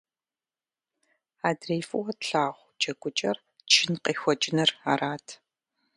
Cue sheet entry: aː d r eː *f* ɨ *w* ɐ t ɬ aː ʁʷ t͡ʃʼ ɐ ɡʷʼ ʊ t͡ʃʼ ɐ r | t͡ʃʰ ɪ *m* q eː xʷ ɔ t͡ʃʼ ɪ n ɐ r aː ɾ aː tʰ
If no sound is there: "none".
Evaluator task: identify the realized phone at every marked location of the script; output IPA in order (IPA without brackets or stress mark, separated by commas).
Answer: f, w, n